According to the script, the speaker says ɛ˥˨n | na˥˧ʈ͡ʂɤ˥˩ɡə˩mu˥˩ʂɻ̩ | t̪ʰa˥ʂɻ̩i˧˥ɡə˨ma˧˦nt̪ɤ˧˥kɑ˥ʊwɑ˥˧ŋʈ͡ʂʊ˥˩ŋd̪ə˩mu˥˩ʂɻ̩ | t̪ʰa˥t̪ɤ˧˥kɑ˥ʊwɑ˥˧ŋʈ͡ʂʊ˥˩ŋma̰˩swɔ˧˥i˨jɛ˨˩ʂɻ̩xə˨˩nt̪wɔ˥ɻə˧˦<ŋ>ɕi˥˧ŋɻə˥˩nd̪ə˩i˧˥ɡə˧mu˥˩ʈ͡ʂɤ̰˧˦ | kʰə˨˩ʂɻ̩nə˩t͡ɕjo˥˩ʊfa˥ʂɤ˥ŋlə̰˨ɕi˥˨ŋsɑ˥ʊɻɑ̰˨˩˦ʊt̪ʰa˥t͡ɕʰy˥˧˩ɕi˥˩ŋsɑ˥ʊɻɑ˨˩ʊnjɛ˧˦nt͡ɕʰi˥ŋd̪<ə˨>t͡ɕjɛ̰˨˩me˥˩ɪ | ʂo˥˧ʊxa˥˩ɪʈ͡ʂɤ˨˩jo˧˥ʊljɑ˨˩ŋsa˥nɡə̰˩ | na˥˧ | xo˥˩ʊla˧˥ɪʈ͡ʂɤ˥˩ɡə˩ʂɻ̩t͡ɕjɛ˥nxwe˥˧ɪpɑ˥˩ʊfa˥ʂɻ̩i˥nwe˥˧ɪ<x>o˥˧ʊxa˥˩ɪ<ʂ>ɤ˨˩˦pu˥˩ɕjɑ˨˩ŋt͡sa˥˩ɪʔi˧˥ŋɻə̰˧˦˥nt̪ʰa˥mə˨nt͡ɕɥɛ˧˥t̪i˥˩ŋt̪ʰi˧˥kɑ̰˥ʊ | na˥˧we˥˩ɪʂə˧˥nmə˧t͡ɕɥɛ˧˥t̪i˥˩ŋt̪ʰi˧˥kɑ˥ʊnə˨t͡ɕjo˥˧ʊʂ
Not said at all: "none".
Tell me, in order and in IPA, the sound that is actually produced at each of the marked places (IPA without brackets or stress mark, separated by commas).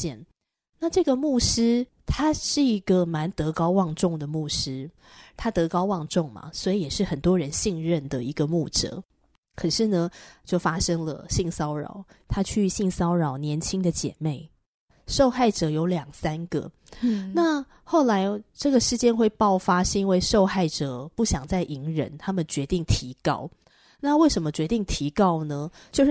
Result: n, ə˨, ʂ, ʈ͡ʂ